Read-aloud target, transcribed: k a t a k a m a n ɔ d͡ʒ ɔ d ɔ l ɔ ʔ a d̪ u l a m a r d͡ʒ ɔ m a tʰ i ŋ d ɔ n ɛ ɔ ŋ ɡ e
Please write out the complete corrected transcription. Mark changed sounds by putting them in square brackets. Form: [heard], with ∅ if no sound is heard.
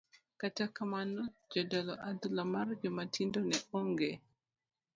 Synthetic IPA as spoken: k a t a k a m a n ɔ d͡ʒ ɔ d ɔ l ɔ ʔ a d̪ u l a m a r d͡ʒ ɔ m a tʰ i [n] d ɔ n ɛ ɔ ŋ ɡ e